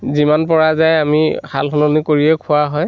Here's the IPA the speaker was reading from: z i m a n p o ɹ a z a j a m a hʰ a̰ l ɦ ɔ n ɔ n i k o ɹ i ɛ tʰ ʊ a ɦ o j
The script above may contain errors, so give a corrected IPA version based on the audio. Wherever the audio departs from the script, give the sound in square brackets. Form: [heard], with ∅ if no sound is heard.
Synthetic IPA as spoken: z i m a n p [ɔ] ɹ a z a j a m [i] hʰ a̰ l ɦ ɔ n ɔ n i k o ɹ i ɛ [kʰ] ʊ a ɦ [ɔ] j